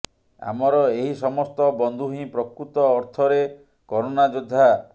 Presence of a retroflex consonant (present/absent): absent